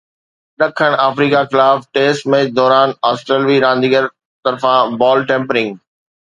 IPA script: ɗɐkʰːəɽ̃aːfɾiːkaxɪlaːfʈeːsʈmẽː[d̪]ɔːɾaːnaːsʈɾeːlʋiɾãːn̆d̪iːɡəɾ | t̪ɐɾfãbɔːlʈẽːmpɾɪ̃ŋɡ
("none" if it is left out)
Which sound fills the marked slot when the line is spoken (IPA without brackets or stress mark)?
d̪